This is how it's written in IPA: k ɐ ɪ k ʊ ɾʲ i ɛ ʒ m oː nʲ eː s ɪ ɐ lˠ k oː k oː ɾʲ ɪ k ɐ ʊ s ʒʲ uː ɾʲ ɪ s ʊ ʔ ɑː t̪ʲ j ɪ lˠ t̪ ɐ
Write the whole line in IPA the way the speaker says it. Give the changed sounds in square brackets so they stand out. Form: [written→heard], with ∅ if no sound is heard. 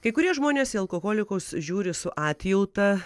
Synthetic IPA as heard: k ɐ ɪ k ʊ ɾʲ i ɛ ʒ m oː nʲ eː s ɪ ɐ lˠ k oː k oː [ɾʲ→lʲ] ɪ k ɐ ʊ s ʒʲ uː ɾʲ ɪ s ʊ ʔ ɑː t̪ʲ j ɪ lˠ t̪ ɐ